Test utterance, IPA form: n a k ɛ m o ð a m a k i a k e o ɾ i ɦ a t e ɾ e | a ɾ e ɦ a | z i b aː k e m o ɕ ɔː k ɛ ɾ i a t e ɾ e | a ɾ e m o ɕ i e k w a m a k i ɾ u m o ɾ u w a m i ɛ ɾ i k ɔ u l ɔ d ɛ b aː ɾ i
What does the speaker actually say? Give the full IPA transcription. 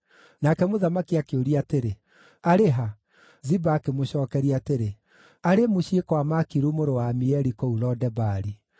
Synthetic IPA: n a k ɛ m o ð a m a k i a k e o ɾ i a t e ɾ e | a ɾ e ɦ a | z i b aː k e m o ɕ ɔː k ɛ ɾ i a t e ɾ e | a ɾ e m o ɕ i e k w a m a k i ɾ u m o ɾ o w a m i ɛ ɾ i k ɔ u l ɔ d ɛ b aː ɾ i